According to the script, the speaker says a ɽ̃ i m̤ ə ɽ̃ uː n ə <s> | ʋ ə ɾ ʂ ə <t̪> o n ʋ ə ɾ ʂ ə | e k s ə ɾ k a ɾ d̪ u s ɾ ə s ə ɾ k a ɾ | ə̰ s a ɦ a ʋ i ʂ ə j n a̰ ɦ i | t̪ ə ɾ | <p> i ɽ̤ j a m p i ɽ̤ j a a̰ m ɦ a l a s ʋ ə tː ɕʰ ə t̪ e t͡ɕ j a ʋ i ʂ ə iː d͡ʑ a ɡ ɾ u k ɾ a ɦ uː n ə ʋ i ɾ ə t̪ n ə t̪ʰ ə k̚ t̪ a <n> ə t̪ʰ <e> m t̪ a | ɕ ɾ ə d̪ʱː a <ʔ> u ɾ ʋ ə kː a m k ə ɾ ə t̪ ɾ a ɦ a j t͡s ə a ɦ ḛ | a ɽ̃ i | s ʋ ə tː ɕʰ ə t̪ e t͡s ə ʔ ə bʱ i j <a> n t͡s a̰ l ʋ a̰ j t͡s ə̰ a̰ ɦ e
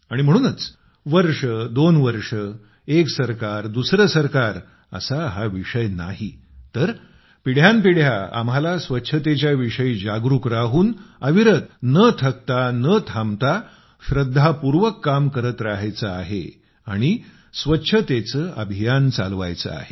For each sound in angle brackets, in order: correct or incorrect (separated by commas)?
incorrect, incorrect, correct, correct, incorrect, incorrect, correct